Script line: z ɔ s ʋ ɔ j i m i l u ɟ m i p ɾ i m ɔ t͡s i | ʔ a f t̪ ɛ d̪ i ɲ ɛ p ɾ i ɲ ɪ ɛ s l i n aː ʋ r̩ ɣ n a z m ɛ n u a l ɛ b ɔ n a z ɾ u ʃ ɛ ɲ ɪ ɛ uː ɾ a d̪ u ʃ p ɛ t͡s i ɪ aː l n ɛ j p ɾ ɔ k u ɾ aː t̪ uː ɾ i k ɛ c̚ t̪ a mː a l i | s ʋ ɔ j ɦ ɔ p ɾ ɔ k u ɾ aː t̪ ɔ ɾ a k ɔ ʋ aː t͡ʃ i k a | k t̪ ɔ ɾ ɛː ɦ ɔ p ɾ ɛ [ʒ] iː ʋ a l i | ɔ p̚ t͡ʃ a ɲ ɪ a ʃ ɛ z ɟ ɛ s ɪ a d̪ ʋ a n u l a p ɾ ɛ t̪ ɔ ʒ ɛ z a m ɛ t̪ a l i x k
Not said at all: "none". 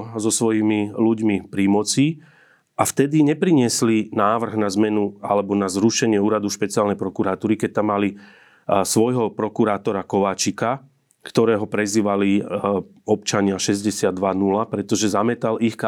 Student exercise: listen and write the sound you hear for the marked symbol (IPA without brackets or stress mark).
z